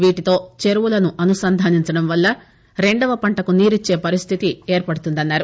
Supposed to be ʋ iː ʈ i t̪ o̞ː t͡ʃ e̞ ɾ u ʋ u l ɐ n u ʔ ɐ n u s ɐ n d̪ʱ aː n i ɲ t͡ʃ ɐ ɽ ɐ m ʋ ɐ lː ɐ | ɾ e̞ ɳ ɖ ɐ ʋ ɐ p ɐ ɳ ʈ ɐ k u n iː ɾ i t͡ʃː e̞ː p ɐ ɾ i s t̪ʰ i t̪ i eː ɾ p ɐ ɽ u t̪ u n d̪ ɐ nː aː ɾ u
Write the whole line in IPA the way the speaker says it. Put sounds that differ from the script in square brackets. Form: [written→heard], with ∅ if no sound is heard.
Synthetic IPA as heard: ʋ iː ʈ i t̪ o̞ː t͡ʃ e̞ ɾ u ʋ u l ɐ n u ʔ ɐ n u s ɐ n d̪ʱ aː n i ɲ t͡ʃ ɐ ɽ ɐ m ʋ ɐ lː ɐ | ɾ e̞ ɳ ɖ ɐ ʋ ɐ p ɐ ɳ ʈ ɐ k u n iː ɾ i t͡ʃː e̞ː p ɐ ɾ i s t̪ʰ i t̪ i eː ɾ p ɐ ɽ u t̪ u n d̪ ɐ nː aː ɾ u